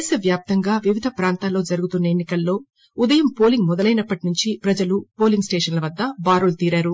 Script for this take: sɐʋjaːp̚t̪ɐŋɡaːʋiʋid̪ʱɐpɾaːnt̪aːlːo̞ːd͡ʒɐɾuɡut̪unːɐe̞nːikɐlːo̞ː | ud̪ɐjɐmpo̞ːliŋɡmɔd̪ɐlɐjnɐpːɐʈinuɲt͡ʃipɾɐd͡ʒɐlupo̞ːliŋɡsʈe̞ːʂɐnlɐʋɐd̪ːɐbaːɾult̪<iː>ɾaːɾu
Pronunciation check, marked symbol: correct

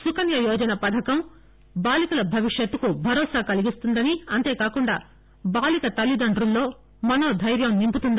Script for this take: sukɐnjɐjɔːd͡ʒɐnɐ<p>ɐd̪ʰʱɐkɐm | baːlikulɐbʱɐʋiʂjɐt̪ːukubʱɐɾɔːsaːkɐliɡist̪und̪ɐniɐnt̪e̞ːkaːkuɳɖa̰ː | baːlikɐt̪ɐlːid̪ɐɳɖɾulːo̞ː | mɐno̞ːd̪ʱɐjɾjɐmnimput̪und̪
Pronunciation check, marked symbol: correct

